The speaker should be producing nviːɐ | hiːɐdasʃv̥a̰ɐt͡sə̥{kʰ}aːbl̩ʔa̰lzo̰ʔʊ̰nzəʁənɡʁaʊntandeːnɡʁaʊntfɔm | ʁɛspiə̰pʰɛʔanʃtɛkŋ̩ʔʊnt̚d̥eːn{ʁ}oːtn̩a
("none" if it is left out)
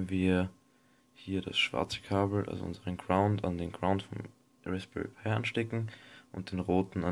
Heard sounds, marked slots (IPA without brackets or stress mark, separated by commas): kʰ, ʁ